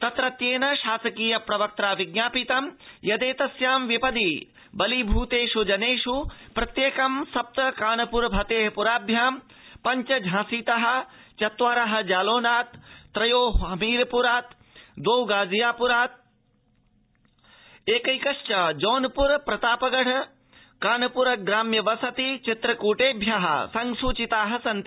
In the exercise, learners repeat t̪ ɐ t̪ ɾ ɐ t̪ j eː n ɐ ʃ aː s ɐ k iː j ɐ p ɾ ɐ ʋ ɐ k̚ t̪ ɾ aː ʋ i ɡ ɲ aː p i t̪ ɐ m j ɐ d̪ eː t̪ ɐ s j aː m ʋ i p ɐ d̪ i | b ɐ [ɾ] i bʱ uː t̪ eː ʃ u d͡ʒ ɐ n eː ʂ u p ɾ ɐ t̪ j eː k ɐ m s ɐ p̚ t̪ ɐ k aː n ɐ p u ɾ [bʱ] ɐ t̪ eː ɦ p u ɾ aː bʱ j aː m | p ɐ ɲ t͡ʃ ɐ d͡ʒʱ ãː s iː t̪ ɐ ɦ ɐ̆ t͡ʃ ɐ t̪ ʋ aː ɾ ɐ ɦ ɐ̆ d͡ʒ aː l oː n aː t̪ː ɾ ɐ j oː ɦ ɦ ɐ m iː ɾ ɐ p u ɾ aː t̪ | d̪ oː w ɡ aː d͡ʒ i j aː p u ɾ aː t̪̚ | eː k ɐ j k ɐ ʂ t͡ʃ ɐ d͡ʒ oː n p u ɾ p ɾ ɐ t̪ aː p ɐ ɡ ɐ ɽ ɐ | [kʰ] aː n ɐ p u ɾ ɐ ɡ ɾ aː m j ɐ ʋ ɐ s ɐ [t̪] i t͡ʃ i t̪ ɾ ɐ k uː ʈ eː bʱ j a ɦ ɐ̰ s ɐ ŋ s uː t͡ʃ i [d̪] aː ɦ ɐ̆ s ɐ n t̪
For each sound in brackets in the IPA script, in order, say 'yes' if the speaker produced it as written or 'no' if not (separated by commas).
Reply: no, yes, no, yes, no